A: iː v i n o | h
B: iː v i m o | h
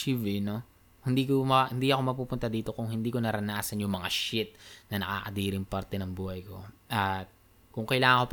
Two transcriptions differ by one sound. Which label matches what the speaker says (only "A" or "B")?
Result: A